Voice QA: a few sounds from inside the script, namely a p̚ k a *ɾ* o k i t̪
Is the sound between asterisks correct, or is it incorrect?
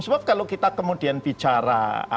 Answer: incorrect: l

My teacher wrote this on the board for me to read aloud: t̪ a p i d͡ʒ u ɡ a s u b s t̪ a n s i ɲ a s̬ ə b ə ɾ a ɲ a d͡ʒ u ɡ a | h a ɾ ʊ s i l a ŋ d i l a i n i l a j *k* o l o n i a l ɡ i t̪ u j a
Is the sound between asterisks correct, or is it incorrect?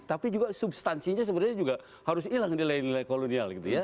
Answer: correct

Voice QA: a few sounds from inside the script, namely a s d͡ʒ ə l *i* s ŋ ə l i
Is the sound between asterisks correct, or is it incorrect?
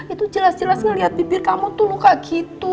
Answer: incorrect: a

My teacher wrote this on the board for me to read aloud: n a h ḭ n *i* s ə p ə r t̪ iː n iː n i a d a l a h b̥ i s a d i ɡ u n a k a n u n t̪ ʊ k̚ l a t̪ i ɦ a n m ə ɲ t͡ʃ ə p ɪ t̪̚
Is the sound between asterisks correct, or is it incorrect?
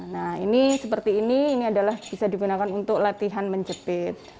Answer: correct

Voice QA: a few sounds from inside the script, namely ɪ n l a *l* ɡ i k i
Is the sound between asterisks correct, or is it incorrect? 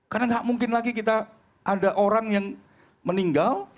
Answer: incorrect: none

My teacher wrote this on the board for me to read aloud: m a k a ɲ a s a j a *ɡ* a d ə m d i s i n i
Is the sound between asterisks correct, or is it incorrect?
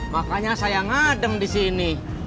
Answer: incorrect: ŋ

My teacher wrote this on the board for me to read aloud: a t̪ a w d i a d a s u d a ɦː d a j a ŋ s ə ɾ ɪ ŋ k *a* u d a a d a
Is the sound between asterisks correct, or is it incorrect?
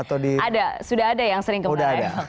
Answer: incorrect: ə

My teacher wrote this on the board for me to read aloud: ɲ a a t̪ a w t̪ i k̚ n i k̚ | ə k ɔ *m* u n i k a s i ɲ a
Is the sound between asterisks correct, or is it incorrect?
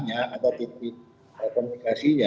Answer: correct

